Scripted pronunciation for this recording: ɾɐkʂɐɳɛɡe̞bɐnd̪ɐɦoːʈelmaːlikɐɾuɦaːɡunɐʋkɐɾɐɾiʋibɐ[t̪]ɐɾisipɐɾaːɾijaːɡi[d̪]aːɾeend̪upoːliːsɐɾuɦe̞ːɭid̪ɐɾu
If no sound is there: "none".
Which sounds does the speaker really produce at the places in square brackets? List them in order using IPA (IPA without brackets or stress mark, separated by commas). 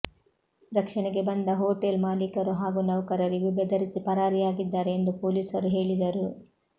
d̪, d̪ː